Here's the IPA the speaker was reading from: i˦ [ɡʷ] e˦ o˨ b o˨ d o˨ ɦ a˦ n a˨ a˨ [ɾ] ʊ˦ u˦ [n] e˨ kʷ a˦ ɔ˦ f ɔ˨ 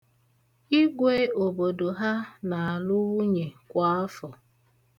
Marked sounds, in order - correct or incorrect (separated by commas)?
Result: correct, incorrect, incorrect